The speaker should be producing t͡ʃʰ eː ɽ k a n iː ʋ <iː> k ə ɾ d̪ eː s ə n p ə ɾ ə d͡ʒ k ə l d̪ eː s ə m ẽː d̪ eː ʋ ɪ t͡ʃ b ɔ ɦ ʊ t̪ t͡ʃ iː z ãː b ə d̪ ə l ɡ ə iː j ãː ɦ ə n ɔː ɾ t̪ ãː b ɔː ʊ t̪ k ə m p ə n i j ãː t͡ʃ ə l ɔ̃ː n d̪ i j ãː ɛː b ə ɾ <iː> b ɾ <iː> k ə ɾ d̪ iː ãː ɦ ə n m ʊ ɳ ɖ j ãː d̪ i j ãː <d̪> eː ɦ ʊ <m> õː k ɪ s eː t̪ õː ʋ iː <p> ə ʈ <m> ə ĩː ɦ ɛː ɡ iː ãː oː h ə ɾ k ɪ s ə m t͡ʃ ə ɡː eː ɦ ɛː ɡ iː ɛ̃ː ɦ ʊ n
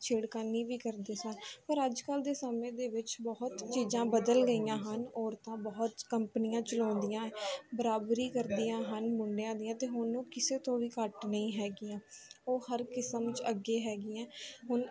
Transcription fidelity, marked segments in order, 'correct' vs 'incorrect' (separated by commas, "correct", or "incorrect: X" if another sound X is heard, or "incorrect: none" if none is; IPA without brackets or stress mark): correct, incorrect: aː, correct, incorrect: t̪, incorrect: n, incorrect: k, incorrect: n